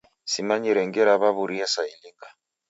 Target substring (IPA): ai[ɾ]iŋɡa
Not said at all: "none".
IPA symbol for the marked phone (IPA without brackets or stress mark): l